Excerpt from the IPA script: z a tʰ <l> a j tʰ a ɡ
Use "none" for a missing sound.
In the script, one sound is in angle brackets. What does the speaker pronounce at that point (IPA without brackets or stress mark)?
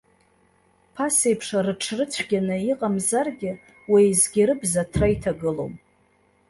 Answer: r